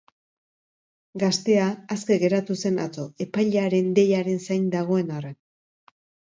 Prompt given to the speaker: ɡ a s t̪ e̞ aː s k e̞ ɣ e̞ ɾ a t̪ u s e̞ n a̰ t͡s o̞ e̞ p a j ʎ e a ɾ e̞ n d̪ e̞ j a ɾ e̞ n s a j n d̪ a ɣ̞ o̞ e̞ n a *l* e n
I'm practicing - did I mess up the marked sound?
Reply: yes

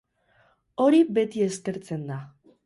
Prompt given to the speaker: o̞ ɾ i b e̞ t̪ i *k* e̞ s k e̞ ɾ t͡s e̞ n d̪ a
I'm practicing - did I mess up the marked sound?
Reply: yes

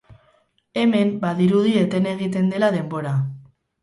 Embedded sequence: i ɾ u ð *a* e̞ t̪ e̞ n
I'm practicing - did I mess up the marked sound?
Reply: yes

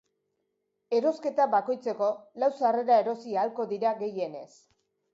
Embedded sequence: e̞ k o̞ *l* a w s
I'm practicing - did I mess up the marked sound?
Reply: no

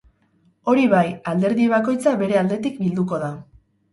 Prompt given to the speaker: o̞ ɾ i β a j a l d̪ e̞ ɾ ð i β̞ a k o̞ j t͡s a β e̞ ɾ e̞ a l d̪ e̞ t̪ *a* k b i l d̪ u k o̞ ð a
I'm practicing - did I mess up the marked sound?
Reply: yes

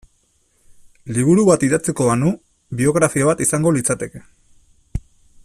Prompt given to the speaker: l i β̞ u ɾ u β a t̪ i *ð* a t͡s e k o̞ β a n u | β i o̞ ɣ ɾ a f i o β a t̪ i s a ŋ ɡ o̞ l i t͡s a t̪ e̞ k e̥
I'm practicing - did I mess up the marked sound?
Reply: no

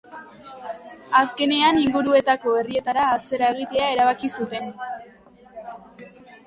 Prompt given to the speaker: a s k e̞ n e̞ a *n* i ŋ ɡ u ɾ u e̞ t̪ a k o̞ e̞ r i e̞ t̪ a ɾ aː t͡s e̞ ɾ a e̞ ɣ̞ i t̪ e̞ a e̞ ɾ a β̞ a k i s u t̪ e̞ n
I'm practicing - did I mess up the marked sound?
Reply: no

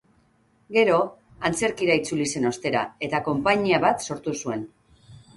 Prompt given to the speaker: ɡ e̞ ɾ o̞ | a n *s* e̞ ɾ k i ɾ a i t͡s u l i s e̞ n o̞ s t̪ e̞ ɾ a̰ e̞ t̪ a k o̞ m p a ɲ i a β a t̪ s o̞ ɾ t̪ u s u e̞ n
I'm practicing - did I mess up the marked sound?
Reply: yes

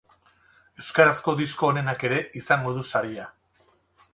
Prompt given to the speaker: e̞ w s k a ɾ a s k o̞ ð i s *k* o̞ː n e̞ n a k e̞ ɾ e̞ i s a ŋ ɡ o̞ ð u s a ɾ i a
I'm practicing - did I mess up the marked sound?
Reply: no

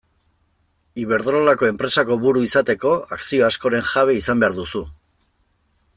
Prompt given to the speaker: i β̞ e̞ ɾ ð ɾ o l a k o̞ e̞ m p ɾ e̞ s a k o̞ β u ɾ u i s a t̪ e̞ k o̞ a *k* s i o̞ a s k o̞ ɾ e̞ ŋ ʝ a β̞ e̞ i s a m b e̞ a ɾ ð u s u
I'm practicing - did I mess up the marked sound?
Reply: no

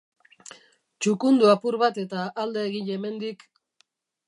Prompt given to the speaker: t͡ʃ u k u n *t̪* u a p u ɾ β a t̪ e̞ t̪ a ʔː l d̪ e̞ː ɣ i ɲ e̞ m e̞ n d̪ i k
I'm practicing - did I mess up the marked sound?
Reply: yes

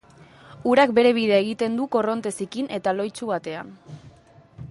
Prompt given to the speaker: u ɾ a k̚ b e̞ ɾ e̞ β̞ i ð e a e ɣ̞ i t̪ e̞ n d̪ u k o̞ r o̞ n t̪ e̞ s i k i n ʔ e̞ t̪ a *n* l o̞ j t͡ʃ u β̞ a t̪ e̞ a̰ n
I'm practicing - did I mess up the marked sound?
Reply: yes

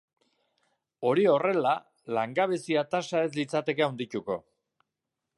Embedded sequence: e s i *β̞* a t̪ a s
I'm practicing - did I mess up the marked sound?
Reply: yes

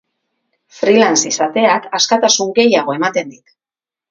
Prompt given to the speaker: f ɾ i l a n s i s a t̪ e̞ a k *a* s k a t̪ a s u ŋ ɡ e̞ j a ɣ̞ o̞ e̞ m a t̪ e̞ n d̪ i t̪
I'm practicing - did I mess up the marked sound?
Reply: no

